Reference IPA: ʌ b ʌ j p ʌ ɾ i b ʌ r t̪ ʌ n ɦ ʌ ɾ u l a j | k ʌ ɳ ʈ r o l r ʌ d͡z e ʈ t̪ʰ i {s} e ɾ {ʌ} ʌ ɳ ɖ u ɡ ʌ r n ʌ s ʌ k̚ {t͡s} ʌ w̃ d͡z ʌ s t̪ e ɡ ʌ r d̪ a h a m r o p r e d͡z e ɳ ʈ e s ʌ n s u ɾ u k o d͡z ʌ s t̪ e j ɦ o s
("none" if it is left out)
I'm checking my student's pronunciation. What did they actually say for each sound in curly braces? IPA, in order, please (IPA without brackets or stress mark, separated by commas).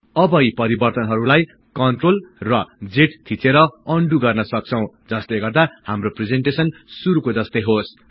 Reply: t͡s, ʌ, t͡sʰ